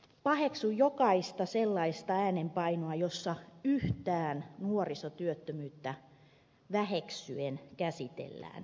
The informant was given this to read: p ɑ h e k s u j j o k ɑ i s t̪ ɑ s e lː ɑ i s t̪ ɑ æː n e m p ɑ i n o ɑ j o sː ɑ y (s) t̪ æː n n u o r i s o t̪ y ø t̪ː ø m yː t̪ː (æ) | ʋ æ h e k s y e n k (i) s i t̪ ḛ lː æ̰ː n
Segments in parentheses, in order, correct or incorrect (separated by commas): incorrect, correct, incorrect